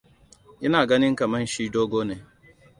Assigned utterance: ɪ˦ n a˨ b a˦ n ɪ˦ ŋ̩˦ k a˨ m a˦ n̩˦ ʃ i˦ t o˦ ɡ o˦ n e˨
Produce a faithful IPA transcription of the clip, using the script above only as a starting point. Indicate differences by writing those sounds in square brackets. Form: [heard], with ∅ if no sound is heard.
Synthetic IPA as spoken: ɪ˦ n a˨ [ɡ] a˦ n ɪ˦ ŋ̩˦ k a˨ m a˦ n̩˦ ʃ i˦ [d] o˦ ɡ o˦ n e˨